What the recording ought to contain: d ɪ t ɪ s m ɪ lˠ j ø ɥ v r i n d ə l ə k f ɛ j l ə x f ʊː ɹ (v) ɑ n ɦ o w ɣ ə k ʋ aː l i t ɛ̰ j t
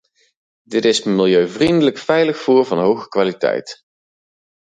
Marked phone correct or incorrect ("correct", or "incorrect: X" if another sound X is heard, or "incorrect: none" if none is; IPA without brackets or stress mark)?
correct